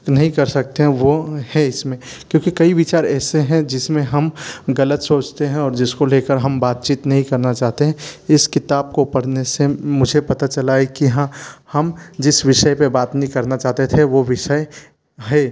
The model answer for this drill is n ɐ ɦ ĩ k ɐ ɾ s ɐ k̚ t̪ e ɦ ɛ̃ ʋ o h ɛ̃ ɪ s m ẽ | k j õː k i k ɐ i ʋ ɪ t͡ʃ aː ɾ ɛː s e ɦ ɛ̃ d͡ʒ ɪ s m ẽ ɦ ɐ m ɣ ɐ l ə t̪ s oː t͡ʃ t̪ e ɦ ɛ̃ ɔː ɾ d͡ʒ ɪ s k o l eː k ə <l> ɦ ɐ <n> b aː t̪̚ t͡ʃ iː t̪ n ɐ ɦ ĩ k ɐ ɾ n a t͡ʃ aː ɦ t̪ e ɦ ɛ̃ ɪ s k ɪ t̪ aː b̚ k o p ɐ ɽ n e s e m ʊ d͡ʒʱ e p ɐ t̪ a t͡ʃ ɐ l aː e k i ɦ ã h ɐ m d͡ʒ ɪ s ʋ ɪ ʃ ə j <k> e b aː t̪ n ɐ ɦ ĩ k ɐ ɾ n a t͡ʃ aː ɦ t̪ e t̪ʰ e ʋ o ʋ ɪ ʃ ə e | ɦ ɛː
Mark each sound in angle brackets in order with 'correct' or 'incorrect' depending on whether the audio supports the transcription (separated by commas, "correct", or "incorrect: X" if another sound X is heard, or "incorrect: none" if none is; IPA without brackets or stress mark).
incorrect: ɾ, incorrect: m, incorrect: p